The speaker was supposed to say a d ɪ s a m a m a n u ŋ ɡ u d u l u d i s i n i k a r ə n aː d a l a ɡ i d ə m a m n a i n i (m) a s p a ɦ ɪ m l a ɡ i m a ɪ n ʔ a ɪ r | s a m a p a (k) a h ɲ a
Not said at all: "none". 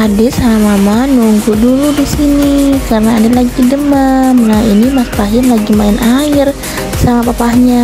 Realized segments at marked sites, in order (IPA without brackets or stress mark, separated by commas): m, p